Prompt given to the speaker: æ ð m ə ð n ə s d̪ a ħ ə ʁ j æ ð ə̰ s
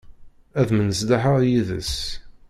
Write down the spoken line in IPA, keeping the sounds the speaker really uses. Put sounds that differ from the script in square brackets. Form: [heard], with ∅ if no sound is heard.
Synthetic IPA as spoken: æ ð m ə [∅] n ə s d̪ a ħ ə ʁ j [i] ð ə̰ s